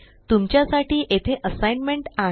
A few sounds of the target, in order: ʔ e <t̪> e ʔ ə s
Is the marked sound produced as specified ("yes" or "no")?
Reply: no